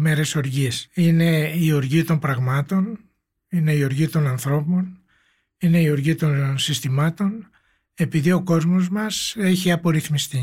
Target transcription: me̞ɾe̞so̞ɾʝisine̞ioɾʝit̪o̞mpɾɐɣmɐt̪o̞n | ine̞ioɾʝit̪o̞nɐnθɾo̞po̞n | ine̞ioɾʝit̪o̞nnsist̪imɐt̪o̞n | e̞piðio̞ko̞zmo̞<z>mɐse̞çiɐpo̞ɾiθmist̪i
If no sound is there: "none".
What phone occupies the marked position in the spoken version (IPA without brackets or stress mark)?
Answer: z